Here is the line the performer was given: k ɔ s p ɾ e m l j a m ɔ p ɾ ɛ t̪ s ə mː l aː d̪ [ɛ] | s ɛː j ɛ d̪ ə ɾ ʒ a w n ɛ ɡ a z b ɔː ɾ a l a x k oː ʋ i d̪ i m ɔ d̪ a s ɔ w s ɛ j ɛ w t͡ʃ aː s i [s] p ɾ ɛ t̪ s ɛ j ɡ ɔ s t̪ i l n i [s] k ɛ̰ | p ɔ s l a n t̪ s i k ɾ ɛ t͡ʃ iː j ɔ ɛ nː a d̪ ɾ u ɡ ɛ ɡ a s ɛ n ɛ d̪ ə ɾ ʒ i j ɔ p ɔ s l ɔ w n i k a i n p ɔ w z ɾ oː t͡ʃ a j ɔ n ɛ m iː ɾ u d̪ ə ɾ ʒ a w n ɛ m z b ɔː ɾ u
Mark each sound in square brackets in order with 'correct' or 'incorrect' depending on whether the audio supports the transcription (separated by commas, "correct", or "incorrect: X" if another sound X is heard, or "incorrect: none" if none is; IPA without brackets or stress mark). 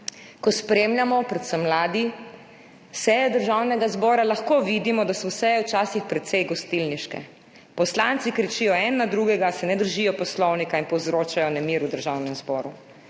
incorrect: i, incorrect: x, incorrect: ʃ